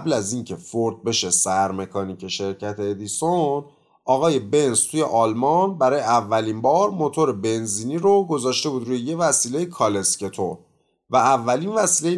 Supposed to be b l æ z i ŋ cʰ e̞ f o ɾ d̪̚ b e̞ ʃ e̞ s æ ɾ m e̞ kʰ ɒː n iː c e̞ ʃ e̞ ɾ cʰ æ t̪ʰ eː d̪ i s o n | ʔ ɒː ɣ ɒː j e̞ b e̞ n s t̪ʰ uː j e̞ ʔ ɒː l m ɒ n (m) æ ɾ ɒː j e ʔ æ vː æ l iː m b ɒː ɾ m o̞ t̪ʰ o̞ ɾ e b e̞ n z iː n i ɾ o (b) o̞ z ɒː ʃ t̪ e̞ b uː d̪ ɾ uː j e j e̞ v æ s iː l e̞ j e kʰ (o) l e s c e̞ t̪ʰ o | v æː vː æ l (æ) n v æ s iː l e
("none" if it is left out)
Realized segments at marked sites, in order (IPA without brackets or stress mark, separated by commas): b, ɡ, ɒ, i